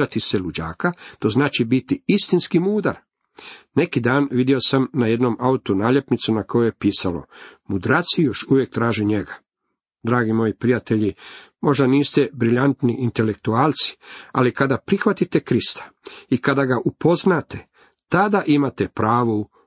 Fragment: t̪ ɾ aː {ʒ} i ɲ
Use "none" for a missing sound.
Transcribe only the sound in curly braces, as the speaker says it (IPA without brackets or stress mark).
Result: ʒ